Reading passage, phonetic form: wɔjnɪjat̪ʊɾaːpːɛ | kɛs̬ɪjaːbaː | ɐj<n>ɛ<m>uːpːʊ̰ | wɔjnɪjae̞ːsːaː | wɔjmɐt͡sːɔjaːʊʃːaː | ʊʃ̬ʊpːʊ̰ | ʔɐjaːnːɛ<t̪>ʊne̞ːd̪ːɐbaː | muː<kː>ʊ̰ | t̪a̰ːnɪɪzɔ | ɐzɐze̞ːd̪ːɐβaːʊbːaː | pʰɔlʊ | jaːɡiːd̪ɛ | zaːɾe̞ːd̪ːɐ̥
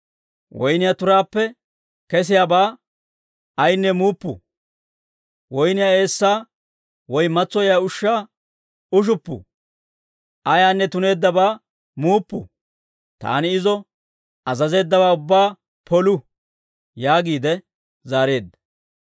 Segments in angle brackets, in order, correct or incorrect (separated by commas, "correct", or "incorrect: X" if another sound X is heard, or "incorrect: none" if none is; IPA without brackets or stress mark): incorrect: nː, correct, correct, incorrect: pː